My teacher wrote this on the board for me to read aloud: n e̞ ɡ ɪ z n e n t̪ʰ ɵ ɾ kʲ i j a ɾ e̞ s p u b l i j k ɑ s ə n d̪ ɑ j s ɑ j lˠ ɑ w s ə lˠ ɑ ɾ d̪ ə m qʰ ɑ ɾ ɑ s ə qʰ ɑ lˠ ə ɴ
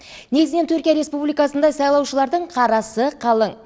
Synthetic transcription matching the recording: n e̞ ɡ ɪ z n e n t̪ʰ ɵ ɾ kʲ i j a ɾ e̞ s p u b l i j k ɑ s ə n d̪ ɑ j s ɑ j lˠ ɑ w ʃ ə lˠ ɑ ɾ d̪ ə ɴ qʰ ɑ ɾ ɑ s ə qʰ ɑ lˠ ə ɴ